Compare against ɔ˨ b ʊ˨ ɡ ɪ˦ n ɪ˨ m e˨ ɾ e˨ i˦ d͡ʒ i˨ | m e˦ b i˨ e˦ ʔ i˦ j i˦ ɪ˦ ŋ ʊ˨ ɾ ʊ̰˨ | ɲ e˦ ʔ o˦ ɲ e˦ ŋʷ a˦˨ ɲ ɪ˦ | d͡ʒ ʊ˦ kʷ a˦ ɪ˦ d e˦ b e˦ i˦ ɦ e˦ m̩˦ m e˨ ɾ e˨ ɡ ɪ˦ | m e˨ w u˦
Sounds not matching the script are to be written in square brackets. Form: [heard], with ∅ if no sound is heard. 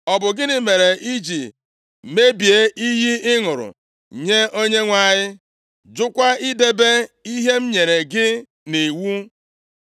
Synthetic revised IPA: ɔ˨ b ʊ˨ ɡ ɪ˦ n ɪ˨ m e˨ ɾ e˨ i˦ d͡ʒ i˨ | m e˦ b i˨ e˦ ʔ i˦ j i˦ ɪ˦ ŋ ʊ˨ ɾ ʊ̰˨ | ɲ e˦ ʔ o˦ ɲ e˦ ŋʷ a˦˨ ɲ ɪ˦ | d͡ʒ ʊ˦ kʷ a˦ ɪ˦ d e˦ b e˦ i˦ ɦ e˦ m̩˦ [ɲ] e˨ ɾ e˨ ɡ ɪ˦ | [n] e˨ w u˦